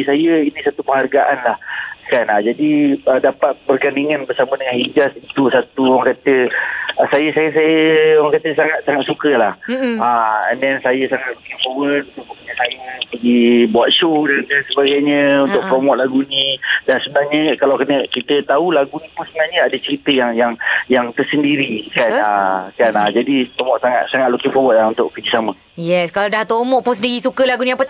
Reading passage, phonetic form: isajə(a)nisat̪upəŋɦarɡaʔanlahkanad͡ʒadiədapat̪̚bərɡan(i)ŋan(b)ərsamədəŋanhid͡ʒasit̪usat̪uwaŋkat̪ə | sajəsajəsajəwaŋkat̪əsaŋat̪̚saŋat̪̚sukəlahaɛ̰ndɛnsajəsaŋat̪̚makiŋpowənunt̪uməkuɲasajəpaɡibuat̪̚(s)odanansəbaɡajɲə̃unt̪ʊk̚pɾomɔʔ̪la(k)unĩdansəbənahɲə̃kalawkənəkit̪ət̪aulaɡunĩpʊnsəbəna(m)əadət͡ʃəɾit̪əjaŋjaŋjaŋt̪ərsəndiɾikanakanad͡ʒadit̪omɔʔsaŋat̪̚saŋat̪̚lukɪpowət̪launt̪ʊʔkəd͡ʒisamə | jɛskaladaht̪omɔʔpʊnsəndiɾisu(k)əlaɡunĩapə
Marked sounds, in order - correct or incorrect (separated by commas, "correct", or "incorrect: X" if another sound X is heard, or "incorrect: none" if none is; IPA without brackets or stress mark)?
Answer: incorrect: i, correct, correct, incorrect: ʃ, incorrect: ɡ, incorrect: ɲ, correct